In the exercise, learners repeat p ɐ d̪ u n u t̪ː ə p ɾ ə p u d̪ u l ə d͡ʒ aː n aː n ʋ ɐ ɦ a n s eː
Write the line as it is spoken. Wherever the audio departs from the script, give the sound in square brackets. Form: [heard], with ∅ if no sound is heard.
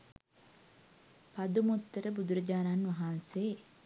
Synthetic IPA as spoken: p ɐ d̪ u [m] u t̪ː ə [∅] ɾ ə [b] u d̪ u [ɾ] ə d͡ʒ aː n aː n ʋ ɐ ɦ a n s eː